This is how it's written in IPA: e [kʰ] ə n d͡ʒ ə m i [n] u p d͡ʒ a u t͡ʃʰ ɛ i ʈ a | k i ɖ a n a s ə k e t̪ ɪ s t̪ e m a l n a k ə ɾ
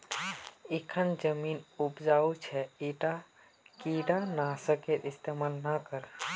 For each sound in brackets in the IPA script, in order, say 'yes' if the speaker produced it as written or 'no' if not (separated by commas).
yes, yes